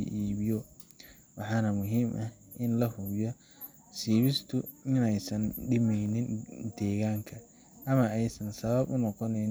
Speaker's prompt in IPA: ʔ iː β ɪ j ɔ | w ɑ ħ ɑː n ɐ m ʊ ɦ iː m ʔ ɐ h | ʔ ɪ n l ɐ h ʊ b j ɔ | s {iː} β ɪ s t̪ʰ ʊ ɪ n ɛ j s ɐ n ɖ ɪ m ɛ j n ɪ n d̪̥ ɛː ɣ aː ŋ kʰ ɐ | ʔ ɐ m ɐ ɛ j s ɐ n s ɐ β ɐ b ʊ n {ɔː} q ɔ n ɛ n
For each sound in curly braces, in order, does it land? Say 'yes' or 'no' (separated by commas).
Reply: yes, no